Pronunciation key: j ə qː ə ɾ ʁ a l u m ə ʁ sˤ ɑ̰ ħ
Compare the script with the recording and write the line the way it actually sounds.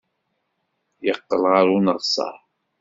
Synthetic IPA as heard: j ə qː ə l ʁ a ɾ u n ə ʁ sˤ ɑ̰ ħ

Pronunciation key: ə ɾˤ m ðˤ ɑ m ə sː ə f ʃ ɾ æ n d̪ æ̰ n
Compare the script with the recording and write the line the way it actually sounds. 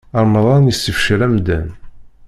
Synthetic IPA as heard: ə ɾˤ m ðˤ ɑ n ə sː ə f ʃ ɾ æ m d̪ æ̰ n

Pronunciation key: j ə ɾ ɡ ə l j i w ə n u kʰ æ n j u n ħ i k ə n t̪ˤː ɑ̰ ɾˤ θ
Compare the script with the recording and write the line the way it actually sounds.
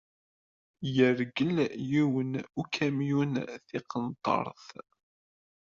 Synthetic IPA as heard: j ə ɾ ɡ ə l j i w ə n u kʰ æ m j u n θ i q ə n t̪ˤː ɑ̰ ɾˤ θ

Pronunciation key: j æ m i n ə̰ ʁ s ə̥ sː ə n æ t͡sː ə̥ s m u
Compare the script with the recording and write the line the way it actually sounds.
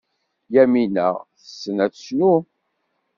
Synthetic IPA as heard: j æ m i n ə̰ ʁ θ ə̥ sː ə n æ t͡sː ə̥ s n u

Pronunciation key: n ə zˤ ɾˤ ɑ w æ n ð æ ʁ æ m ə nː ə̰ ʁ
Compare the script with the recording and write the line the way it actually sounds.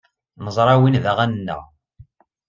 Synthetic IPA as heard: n ə zˤ ɾˤ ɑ w i n ð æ ʁ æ n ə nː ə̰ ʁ

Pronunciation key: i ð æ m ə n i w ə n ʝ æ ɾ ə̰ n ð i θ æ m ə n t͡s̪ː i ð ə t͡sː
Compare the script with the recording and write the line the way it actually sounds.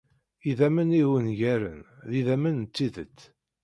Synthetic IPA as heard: i ð æ m ə n i w ə n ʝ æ ɾ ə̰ n ð i ð æ m ə n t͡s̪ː i ð ə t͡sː

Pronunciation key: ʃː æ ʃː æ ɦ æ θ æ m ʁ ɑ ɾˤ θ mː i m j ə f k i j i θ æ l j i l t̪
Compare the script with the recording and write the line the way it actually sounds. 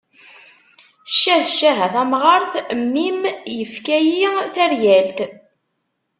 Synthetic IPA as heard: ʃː æ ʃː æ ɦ æ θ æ m ʁ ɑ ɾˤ θ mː i m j ə f k æ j i θ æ ɾ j æ l t̪

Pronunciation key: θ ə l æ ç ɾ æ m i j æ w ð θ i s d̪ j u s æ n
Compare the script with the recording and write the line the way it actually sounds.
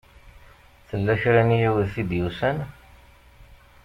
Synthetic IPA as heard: θ ə lː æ ç ɾ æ n i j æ w ð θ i d̪ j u s æ n

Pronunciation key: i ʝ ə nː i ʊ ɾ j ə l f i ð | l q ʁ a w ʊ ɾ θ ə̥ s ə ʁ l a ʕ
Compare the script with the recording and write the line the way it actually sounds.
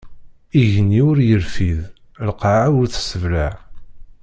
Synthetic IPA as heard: i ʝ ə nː i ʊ ɾ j ə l f i ð | l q ʕ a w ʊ ɾ θ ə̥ s ə v l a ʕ

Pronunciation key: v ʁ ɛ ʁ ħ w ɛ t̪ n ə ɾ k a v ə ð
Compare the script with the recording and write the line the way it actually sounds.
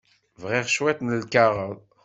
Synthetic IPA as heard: v ʁ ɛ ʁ ʃ w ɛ t̪ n ə l k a ʁ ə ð

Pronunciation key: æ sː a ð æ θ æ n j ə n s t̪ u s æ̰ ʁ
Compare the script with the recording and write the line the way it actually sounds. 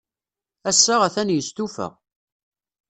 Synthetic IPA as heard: æ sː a ʁ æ θ æ n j ə s t̪ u f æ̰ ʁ

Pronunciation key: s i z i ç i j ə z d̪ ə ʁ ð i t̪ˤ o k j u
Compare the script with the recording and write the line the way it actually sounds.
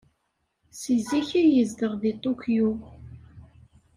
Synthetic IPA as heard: s i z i ç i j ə z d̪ ə ʁ ð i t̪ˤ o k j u

